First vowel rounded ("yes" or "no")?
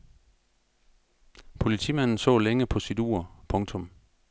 yes